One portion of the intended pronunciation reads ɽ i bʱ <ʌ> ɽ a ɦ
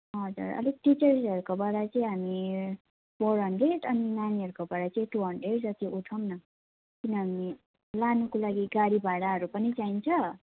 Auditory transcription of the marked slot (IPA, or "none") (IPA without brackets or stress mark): a